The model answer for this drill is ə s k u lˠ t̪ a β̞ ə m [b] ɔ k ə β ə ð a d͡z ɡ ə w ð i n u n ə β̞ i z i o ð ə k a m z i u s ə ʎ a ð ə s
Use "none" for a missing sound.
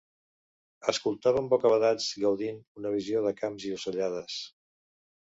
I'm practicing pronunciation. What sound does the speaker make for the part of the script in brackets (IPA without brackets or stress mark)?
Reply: b